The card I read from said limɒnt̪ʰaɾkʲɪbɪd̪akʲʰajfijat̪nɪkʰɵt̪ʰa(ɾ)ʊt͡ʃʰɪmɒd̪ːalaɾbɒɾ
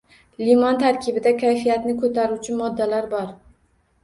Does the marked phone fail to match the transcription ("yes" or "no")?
no